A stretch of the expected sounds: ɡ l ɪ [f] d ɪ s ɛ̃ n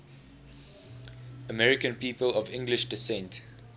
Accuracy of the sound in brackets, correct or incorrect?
incorrect: ʃ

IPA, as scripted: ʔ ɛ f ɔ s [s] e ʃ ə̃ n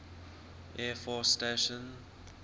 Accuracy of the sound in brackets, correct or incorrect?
incorrect: t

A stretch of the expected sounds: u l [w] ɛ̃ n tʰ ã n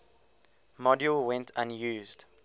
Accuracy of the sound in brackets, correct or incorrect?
correct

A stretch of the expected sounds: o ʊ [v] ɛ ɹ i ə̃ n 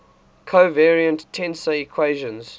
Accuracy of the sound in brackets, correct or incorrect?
correct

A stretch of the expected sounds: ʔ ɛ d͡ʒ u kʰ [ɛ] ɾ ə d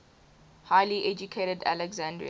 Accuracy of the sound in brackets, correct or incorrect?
incorrect: e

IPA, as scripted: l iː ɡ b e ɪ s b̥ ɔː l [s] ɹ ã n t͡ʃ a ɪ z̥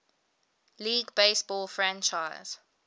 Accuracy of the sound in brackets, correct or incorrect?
incorrect: f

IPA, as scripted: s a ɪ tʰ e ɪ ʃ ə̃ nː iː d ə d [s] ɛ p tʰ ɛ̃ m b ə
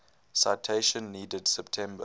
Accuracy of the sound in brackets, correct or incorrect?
correct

